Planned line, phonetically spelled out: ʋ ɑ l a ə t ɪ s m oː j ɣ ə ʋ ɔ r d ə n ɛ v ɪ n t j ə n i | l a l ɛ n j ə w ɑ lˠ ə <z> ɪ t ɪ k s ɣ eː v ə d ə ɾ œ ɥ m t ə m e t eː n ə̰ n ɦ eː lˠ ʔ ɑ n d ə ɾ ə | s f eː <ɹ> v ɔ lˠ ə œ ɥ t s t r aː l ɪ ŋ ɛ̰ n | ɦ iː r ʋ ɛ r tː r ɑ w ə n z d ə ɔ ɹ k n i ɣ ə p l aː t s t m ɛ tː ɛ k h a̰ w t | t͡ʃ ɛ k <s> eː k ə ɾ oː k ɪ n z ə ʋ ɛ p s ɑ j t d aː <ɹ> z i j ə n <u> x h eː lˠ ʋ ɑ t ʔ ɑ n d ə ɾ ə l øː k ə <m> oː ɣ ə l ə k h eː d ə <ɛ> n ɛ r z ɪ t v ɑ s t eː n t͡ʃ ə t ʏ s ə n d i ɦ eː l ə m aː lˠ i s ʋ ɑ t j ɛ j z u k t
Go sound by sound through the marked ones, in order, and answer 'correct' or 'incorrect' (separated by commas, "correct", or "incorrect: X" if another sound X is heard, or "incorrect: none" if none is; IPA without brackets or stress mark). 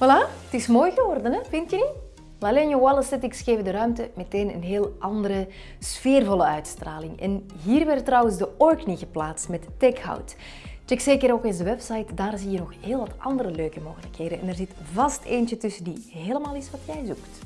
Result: incorrect: s, incorrect: r, correct, incorrect: r, incorrect: ɔ, correct, correct